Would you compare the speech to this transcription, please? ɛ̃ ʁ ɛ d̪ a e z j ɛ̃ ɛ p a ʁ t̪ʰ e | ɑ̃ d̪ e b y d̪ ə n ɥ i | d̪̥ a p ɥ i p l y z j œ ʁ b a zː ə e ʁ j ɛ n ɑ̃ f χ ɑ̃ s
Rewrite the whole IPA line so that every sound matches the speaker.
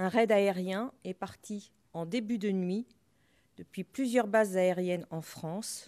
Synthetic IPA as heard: ɛ̃ ʁ ɛ d̪ a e ʁ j ɛ̃ ɛ p a ʁ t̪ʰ i | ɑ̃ d̪ e b y d̪ ə n ɥ i | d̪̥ ə p ɥ i p l y z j œ ʁ b a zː a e ʁ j ɛ n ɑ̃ f χ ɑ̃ s